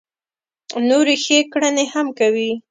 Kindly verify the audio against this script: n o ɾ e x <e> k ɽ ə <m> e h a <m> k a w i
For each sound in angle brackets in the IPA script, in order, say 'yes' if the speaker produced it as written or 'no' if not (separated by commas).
yes, no, yes